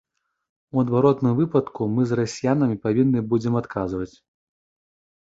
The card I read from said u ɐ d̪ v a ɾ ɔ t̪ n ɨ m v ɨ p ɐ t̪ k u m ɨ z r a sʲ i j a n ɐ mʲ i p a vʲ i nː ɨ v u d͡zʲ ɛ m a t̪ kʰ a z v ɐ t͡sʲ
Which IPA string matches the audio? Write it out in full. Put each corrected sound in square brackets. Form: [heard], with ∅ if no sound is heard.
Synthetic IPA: u ɐ d̪ v a ɾ ɔ t̪ n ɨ m v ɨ p ɐ t̪ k u m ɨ z r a sʲ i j a n ɐ mʲ i p a vʲ i nː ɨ [b] u d͡zʲ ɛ m a t̪ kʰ a z v ɐ t͡sʲ